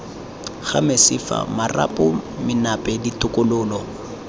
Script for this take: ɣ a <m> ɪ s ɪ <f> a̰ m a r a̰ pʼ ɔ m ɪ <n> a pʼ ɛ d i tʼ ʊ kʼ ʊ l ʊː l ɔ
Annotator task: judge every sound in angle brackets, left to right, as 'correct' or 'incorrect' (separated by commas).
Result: correct, correct, correct